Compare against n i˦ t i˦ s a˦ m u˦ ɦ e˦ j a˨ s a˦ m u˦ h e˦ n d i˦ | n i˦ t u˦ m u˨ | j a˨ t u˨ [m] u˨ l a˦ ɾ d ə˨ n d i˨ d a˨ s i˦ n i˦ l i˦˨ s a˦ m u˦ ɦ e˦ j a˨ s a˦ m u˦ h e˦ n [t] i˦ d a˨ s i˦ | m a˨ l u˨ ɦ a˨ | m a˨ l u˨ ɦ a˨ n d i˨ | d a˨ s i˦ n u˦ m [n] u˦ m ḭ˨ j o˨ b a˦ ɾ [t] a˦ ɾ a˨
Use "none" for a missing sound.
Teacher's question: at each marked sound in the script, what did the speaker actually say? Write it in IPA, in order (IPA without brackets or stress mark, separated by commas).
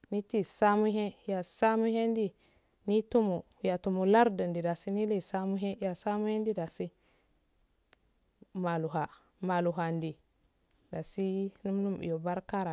m, d, n, k